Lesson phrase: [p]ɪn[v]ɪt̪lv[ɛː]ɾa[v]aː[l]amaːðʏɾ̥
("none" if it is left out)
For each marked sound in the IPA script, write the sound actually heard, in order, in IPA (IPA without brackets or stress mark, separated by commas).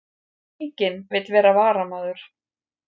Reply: c, v, ɛː, v, ɾ